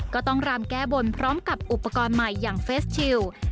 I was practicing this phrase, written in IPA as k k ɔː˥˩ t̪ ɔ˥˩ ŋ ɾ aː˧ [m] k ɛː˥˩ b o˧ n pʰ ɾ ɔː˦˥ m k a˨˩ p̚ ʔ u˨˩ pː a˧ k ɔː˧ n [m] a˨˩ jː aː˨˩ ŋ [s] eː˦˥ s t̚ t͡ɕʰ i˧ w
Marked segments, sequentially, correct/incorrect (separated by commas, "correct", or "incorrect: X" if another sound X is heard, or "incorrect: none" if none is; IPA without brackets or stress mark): correct, correct, incorrect: f